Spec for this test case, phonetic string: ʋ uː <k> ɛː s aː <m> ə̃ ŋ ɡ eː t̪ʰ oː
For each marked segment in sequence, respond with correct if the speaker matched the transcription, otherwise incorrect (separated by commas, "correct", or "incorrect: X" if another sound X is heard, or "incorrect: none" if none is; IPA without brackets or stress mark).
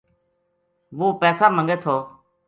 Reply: incorrect: p, correct